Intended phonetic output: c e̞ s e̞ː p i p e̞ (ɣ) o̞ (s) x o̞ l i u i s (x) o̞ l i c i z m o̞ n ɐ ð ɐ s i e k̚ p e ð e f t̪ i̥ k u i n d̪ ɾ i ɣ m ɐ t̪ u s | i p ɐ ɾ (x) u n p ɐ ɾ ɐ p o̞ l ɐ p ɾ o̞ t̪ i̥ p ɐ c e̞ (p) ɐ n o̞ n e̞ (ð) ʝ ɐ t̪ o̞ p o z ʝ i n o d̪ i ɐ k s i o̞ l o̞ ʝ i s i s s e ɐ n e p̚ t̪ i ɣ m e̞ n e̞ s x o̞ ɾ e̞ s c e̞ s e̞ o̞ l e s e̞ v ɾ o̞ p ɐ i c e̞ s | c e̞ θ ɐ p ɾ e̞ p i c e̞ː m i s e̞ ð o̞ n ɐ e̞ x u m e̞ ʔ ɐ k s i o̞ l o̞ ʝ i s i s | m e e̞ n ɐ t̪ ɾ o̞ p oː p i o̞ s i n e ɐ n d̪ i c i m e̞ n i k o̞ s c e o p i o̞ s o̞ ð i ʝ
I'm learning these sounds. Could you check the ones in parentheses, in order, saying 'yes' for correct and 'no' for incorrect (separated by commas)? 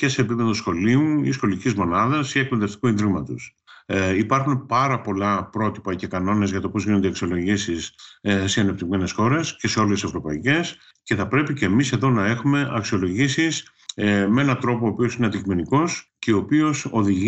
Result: no, yes, yes, yes, no, no